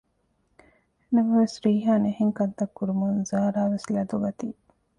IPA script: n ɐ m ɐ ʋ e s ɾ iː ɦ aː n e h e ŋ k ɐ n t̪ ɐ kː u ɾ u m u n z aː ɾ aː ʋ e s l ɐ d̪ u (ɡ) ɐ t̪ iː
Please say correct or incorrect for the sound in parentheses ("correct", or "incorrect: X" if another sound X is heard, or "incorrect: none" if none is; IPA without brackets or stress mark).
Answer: correct